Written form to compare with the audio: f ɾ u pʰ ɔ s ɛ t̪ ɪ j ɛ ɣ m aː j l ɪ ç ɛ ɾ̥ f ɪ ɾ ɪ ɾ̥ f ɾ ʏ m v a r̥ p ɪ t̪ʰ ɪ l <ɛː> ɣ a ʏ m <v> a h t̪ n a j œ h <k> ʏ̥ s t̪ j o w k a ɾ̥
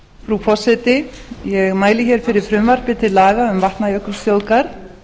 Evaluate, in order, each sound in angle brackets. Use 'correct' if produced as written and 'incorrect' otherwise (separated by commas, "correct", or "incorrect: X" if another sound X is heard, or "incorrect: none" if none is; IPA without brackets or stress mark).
incorrect: aː, correct, correct